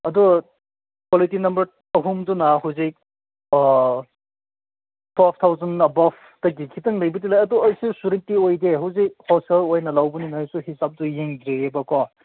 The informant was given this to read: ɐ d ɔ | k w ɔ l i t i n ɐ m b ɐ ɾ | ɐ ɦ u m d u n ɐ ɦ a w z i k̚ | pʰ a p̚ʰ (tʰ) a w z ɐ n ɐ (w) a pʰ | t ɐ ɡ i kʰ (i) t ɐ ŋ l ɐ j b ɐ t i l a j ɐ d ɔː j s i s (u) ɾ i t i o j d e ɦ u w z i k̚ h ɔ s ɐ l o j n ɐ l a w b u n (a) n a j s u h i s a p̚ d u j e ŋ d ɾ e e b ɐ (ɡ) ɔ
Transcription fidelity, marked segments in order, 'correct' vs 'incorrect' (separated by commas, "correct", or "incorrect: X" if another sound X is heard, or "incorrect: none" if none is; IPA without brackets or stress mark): correct, incorrect: b, correct, correct, incorrect: i, incorrect: k